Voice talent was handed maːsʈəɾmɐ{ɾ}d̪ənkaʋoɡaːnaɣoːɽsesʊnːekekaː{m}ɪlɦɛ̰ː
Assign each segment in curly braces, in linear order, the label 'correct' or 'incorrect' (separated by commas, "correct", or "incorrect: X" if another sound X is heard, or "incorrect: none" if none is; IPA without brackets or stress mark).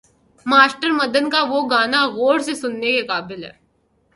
incorrect: none, incorrect: b